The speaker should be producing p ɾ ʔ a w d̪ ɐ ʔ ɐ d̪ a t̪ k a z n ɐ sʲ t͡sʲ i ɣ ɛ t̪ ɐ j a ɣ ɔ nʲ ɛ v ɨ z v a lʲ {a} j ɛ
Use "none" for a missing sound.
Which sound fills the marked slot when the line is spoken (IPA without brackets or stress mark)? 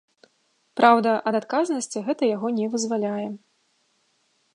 a